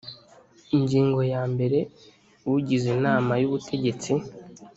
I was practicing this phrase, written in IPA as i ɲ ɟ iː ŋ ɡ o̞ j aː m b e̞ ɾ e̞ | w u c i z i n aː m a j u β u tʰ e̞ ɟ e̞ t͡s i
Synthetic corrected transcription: i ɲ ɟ iː ŋ ɡ o̞ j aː m b e̞ ɾ e̞ | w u ɟ i z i n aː m a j u β u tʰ e̞ ɟ e̞ t͡s i